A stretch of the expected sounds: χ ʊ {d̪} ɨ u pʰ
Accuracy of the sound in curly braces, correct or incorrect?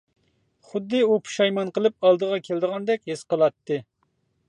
incorrect